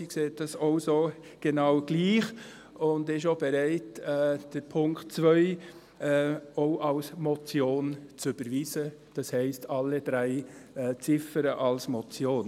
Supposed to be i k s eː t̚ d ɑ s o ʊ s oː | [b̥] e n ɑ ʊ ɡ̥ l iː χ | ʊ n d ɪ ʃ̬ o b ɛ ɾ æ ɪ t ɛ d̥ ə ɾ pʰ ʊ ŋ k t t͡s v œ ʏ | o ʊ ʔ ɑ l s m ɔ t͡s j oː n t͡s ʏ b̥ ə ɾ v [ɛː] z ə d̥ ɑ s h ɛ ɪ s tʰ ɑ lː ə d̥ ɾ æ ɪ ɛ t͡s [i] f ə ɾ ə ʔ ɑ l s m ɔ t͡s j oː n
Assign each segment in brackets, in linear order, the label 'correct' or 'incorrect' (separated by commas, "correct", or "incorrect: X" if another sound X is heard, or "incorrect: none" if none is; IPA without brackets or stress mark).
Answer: incorrect: ɡ̥, incorrect: iː, incorrect: ɪ